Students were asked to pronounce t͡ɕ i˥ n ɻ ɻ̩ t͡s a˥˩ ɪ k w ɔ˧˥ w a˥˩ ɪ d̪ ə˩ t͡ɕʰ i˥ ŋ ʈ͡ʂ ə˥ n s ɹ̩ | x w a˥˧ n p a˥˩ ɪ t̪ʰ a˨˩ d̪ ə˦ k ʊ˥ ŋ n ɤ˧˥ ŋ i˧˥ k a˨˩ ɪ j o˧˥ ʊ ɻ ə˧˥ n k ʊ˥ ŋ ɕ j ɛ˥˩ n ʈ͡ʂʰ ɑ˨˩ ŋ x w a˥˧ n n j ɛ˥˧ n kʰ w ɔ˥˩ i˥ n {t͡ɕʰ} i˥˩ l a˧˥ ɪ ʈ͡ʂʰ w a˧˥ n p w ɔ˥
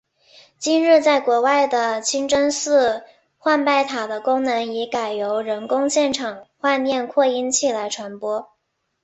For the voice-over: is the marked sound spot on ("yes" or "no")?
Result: yes